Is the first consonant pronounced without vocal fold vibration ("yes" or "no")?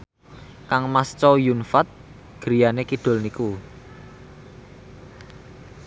yes